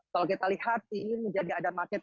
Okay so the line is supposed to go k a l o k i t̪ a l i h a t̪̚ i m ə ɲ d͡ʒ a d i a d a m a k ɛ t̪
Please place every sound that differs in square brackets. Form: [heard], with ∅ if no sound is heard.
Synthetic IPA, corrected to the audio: k a l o k i t̪ a l i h a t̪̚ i m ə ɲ d͡ʒ a d i a d a m a k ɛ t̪

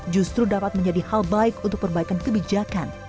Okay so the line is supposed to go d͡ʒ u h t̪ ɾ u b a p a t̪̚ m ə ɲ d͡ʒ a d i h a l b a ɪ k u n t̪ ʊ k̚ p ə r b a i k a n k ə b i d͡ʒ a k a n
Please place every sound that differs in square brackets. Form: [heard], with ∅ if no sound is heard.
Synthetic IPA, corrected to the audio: d͡ʒ u [s] t̪ ɾ u [d] a p a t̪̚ m ə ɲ d͡ʒ a d i h a l b a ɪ k u n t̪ ʊ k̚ p ə r b a i k a n k ə b i d͡ʒ a k a n

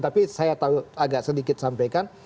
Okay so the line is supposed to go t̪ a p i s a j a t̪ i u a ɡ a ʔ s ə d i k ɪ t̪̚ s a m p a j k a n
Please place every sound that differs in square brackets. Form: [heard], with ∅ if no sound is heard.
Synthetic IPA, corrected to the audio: t̪ a p i s a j a t̪ [a] u a ɡ a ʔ s ə d i k ɪ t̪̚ s a m p a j k a n

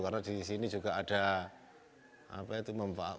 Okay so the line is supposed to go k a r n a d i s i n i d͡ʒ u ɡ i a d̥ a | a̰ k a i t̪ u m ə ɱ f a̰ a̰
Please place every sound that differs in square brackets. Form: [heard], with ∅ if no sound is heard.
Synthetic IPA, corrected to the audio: k a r n a d i s i n i d͡ʒ u ɡ [a] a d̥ a | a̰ [p] a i t̪ u m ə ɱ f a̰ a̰

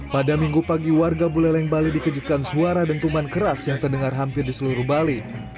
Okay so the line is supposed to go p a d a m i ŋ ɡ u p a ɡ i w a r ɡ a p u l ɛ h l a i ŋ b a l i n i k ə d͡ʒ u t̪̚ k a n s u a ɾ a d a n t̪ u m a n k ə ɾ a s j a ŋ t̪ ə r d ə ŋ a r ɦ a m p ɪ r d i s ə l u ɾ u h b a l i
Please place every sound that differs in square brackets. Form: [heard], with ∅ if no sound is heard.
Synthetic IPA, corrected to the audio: p a d a m i ŋ ɡ u p a ɡ i w a r ɡ a [b] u l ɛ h l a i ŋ b a l i [d] i k ə d͡ʒ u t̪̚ k a n s u a ɾ a d a n t̪ u m a n k ə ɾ a s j a ŋ t̪ ə r d ə ŋ a r ɦ a m p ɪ r d i s ə l u ɾ u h b a l i

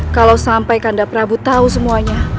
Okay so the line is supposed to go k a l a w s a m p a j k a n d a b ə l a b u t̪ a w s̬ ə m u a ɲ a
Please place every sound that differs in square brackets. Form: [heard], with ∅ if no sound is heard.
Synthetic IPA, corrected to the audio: k a l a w s a m p a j k a n d a [p] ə [ɾ] a b u t̪ a [u] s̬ ə m u a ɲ a

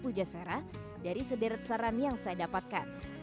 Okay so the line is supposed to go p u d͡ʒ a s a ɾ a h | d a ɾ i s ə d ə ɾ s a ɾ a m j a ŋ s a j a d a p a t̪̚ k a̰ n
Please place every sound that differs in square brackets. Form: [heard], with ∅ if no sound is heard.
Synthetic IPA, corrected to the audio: p u d͡ʒ a s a ɾ a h | d a ɾ i s ə d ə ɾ s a ɾ a [n] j a ŋ s a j a d a p a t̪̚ k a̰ n

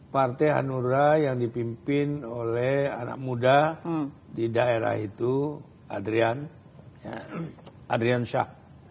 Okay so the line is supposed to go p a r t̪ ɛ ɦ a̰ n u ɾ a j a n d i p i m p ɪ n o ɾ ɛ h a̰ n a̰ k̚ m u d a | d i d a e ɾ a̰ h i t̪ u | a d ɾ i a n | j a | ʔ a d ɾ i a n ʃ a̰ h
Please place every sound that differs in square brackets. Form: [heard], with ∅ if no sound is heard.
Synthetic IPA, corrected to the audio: p a r t̪ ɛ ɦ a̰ n u ɾ a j a [ŋ] d i p i m p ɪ n o [l] ɛ h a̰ n a̰ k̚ m u d a | d i d a e ɾ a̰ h i t̪ u | a d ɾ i a n | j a | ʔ a d ɾ i a n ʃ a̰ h

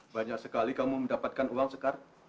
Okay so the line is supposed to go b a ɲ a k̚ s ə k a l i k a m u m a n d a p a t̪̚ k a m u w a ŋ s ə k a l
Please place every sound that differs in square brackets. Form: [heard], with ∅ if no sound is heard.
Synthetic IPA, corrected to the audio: b a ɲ a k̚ s ə k a l i k a m u m [ə] n d a p a t̪̚ k a [n] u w a ŋ s ə k a [r]

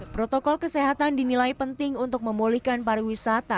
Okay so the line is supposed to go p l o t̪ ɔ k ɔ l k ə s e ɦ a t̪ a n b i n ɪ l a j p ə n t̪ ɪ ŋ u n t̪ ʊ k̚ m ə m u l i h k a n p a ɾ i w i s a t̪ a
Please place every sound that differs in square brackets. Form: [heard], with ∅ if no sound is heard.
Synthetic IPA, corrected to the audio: p [ɾ] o t̪ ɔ k ɔ l k ə s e ɦ a t̪ a n [d] i n [i] l a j p ə n t̪ ɪ ŋ u n t̪ ʊ k̚ m ə m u l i h k a n p a ɾ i w i s a t̪ a

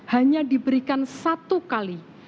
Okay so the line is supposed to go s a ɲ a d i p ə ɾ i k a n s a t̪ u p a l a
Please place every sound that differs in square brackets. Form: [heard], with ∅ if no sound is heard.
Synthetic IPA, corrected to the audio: [h] a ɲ a d i [b] ə ɾ i k a n s a t̪ u [k] a l [i]

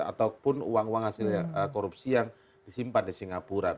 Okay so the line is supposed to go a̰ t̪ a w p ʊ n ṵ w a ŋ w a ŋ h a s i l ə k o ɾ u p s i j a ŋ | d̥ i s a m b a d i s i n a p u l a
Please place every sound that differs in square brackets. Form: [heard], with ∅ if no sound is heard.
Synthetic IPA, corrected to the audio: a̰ t̪ a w p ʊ n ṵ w a ŋ w a ŋ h a s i l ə k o ɾ u p s i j a ŋ | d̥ i s [i] m [p] a d i s i [ŋ] a p u [ɾ] a

